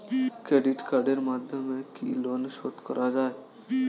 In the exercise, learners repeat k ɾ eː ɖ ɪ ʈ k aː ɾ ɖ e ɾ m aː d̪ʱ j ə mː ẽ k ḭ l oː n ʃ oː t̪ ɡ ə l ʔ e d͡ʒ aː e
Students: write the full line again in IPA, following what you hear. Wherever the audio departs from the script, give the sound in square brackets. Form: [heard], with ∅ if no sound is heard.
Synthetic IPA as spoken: k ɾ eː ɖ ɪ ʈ k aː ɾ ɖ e ɾ m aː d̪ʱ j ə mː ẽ k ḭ l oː n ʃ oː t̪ [k] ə [ɾ] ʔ [a] d͡ʒ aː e